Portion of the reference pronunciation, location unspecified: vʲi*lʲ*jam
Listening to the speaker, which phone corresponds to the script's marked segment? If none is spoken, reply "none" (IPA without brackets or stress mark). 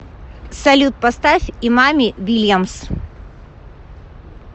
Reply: lʲ